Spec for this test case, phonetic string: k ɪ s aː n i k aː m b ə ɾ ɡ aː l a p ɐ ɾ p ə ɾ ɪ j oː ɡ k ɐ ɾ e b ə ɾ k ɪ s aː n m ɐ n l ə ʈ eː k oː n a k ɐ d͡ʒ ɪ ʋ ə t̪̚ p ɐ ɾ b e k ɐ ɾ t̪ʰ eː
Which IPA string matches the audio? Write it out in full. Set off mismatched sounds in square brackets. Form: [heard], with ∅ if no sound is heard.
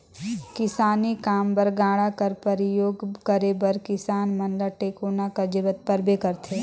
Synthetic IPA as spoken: k ɪ s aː n i k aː m b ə ɾ ɡ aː [ɽ] a [k] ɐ ɾ p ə ɾ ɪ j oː ɡ k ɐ ɾ e b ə ɾ k ɪ s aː n m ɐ n l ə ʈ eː k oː n a k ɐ d͡ʒ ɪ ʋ ə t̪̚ p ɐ ɾ b e k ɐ ɾ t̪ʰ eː